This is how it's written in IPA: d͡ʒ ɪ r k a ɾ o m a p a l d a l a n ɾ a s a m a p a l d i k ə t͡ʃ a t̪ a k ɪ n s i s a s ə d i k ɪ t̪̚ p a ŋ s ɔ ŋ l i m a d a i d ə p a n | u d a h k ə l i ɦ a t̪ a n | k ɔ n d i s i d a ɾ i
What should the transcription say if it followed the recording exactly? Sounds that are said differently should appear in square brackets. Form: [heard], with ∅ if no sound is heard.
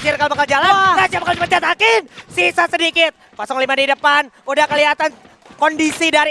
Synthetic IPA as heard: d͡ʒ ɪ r k a [l] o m a [k] a l [d͡ʒ] a l a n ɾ a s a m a [k] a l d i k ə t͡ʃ a t̪ a k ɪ n s i s a s ə d i k ɪ t̪̚ p a [∅] s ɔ ŋ l i m a d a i d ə p a n | u d a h k ə l i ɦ a t̪ a n | k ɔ n d i s i d a ɾ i